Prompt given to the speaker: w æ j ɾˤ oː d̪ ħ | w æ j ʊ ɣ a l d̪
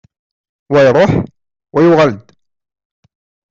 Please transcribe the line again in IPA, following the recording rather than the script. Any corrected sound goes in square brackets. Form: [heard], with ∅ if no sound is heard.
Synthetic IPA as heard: w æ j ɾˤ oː [∅] ħ | w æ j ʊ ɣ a l d̪